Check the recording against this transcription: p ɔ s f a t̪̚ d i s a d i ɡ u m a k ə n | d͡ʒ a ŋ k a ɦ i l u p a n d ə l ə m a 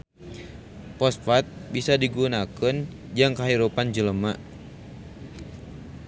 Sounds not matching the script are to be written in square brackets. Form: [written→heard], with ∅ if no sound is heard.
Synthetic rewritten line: p ɔ s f a t̪̚ [d→b] i s a d i ɡ u [m→n] a k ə n | d͡ʒ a ŋ k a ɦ i [l→ɾ] u p a n [d→d͡ʒ] ə l ə m a